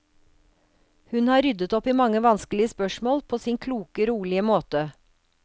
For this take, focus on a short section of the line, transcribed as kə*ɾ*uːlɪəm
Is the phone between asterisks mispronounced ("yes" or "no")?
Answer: no